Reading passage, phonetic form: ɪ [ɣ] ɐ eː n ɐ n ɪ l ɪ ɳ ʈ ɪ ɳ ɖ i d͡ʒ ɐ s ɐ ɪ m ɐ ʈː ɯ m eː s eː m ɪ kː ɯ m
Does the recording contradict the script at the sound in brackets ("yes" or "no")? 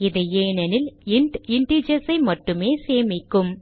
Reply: yes